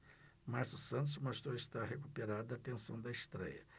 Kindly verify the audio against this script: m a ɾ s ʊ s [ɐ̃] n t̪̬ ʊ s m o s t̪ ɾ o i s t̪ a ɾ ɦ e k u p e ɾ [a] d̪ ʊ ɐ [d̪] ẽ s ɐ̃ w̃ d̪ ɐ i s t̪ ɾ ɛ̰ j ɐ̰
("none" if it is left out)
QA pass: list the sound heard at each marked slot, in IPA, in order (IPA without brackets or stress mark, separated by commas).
ɐ̃, a, t̪